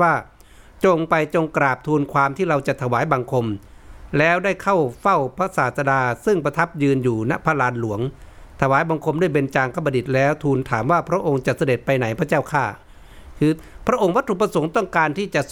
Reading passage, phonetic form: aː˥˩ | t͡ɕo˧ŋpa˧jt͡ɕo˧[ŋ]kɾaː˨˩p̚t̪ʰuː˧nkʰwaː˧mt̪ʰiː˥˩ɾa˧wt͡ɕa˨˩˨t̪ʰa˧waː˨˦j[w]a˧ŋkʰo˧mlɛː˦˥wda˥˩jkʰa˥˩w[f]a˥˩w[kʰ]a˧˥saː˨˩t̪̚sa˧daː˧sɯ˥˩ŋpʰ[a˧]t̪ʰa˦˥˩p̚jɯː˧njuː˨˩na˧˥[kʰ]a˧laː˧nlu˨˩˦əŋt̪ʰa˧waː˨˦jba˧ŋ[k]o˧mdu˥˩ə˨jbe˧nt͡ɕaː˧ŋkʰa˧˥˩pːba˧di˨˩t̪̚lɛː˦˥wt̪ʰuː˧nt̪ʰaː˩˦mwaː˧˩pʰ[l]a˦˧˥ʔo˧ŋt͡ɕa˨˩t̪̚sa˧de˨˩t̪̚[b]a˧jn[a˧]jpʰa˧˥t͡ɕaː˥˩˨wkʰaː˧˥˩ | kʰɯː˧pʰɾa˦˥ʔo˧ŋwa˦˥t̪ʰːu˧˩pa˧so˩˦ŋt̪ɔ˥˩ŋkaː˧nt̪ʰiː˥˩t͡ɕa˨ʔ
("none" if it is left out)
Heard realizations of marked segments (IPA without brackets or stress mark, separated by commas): ŋ, b, f, pʰ, a˧, pʰ, kʰ, ɾ, p, a˩˦